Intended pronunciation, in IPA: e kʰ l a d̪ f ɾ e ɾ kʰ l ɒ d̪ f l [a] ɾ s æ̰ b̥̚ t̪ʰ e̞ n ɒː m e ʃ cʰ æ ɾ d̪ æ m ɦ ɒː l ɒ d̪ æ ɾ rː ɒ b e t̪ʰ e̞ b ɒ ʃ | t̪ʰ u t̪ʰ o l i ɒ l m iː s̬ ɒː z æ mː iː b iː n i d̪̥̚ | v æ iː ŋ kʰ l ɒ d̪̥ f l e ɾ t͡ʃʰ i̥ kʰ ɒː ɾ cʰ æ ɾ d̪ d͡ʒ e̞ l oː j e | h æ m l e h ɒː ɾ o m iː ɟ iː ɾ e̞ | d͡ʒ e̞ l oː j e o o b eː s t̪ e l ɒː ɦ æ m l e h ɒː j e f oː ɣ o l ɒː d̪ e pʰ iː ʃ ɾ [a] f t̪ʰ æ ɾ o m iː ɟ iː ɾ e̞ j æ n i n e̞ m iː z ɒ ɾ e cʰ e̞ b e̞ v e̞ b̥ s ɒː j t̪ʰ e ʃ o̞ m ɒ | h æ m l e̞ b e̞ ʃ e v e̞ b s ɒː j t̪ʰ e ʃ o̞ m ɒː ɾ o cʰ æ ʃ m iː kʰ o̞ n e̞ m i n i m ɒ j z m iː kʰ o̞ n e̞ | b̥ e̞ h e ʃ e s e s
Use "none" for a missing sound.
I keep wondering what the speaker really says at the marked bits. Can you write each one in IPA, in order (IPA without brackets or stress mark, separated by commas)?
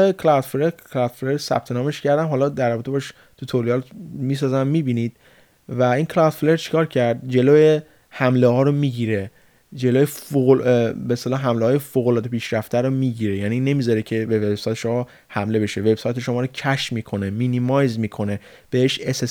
e, æ